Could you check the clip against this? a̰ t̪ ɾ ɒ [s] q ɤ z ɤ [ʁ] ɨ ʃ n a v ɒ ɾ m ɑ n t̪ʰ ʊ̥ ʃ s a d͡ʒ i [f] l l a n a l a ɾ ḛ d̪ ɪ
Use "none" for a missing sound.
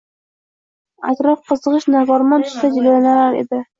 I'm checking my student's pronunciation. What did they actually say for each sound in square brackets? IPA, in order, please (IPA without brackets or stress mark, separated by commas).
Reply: f, ʁ, none